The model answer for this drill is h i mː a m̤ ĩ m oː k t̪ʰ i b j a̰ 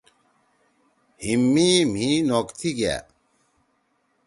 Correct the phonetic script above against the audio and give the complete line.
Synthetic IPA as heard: h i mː i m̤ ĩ n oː k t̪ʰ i ɡ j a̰